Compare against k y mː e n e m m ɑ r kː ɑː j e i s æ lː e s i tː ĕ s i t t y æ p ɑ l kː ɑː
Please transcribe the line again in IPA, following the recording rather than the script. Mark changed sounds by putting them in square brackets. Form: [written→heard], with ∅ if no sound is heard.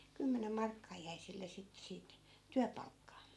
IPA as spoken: k y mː e n e m m ɑ r kː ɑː j [e→æ] i s [æ→i] lː e s i tː ĕ s [i→iː] t t y æ p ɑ l kː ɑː